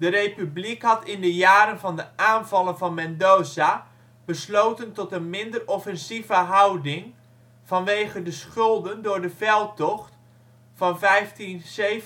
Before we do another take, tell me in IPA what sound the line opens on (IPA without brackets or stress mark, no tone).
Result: d